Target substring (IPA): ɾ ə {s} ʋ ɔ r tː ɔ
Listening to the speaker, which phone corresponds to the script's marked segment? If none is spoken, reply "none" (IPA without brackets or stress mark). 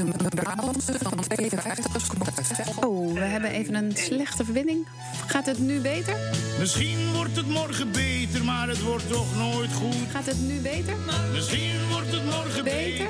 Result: t